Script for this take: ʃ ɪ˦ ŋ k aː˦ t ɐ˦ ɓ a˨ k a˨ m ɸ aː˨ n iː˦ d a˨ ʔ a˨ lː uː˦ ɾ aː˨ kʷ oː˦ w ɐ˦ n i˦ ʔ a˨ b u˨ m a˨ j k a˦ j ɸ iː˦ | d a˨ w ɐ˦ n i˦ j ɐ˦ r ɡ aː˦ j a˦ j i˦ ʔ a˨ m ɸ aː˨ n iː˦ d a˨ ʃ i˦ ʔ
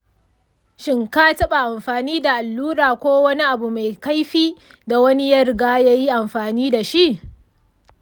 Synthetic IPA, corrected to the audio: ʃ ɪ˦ ŋ k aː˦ t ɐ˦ ɓ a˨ ʔ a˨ m ɸ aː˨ n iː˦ d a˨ ʔ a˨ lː uː˦ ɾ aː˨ kʷ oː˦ w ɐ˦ n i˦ ʔ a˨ b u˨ m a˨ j k a˦ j ɸ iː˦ | d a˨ w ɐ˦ n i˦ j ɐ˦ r ɡ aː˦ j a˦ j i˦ ʔ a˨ m ɸ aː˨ n iː˦ d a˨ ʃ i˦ ʔ